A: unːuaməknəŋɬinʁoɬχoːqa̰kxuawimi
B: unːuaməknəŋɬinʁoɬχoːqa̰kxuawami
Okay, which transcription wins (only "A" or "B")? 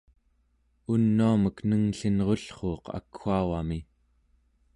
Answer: B